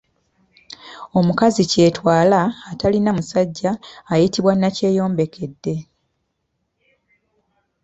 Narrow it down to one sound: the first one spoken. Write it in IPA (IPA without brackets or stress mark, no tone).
o̞